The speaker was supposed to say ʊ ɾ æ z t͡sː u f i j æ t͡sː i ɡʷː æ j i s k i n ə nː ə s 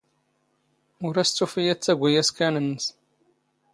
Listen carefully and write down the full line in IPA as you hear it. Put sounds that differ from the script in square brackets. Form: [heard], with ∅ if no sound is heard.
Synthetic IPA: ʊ ɾ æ [s] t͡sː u f i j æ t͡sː [æ] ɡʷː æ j [æ] s k [æ] n ə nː ə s